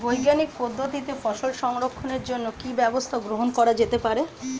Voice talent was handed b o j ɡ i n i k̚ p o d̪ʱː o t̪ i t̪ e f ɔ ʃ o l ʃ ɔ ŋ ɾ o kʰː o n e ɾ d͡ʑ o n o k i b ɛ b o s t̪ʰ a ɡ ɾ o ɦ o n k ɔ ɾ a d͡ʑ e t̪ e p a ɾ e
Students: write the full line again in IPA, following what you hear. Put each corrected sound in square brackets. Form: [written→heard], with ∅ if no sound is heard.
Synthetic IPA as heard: b o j ɡ [i→a] n i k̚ p o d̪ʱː o t̪ i t̪ e f ɔ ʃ o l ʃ ɔ ŋ ɾ o kʰː o n e ɾ d͡ʑ o [n→nː] o k i b ɛ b o s t̪ʰ a ɡ ɾ o ɦ o n k ɔ ɾ a d͡ʑ e t̪ e p a ɾ e